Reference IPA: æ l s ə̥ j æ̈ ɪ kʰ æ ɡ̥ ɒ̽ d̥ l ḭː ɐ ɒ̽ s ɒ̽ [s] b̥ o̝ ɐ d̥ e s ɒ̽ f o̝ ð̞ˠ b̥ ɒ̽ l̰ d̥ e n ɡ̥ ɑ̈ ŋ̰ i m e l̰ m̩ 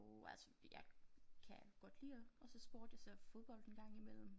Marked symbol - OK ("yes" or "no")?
yes